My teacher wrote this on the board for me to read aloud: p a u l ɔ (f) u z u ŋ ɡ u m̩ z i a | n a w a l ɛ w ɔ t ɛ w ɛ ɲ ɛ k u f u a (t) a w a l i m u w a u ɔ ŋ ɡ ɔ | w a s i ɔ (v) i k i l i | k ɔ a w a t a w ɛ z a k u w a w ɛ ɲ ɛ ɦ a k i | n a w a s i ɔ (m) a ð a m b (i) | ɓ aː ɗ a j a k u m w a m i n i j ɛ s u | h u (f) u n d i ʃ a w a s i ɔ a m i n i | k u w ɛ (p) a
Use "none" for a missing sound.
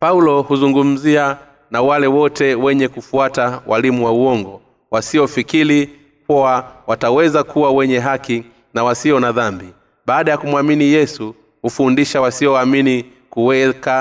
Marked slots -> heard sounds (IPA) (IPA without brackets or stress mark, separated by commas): h, t, f, n, i, f, k